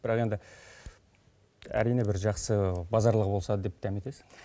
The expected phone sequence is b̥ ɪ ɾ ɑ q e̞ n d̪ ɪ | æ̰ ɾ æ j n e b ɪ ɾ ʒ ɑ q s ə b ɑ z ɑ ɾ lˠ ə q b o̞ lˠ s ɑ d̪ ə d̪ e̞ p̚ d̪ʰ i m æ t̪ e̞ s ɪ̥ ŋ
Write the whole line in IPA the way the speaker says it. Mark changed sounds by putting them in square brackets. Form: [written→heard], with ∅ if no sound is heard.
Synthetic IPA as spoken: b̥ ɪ ɾ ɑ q e̞ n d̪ ɪ | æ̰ ɾ [æ→i] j n e b ɪ ɾ ʒ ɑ q s ə b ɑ z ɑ ɾ lˠ ə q b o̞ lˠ s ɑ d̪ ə d̪ e̞ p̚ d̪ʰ [i→æ] m [æ→e] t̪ e̞ s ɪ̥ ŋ